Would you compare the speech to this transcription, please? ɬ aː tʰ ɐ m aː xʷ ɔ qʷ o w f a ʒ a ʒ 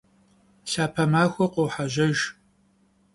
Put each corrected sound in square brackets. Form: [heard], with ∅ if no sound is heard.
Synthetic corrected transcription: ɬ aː [pʰ] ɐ m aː xʷ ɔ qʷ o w [ħ] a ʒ [ɐ] ʒ